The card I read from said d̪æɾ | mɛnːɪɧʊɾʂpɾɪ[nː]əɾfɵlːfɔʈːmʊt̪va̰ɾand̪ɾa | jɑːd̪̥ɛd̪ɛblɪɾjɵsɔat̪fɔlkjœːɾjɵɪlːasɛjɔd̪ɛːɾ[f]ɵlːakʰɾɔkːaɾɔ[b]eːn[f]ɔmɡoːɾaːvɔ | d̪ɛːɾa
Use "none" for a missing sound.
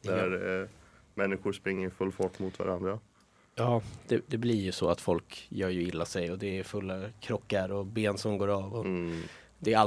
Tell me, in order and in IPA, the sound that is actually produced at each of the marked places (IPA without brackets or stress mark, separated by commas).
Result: ŋː, f, b, s